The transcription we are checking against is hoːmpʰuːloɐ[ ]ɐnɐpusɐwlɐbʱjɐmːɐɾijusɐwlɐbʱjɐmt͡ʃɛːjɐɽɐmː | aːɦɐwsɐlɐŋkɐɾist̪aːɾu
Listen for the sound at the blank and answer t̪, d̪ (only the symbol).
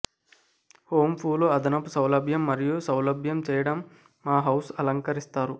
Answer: d̪